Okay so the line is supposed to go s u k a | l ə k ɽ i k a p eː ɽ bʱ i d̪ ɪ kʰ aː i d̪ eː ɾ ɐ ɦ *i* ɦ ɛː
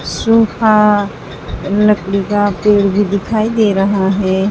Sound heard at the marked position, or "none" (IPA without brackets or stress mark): a